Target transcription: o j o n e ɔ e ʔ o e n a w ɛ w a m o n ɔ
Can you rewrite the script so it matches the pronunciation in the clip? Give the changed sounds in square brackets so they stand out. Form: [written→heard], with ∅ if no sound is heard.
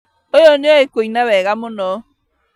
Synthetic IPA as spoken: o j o n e ɔ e [ʔ→k] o [e→i] n a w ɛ [w→ɣ] a m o n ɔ